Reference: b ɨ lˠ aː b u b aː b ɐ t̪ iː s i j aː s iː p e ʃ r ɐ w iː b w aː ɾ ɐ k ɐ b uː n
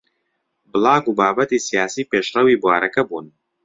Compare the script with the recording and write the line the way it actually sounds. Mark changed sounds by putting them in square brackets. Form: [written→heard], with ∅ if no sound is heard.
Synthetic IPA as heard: b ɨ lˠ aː [b→ɡ] u b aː b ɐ t̪ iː s i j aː s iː p e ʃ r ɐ w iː b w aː ɾ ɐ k ɐ b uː n